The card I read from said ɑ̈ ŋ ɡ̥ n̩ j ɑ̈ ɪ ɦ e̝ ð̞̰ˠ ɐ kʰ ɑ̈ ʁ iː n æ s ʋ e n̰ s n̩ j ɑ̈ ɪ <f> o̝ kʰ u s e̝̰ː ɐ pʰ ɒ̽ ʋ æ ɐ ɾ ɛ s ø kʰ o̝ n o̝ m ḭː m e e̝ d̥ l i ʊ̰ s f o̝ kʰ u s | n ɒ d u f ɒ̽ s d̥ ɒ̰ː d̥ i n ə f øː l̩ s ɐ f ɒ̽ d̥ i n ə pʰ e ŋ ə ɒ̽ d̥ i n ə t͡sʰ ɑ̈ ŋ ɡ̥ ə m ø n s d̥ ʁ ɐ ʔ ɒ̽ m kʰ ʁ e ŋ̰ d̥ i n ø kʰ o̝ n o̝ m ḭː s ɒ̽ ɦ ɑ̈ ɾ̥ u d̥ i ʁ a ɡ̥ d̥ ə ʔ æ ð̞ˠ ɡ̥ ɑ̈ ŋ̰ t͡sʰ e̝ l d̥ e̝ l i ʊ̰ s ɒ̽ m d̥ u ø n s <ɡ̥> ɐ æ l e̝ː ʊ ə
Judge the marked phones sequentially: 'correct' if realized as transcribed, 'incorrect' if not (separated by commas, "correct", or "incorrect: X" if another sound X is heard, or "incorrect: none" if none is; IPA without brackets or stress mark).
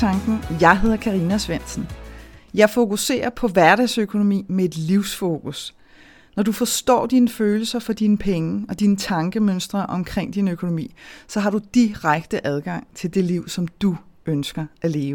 correct, correct